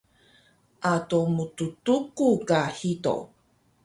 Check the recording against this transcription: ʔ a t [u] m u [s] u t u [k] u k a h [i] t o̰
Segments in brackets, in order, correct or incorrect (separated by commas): incorrect, incorrect, correct, correct